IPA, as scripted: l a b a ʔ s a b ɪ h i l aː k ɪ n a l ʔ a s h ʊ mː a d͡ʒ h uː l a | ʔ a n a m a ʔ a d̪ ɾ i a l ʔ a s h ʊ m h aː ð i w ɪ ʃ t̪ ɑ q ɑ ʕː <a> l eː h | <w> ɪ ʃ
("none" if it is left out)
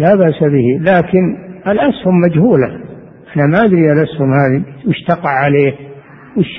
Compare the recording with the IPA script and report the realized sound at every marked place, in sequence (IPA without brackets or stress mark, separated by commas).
a, w